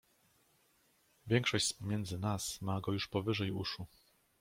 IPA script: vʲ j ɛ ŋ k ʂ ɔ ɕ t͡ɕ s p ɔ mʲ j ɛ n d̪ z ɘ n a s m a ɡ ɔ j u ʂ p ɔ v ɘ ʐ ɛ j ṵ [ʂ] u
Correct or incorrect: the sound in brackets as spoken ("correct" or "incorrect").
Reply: correct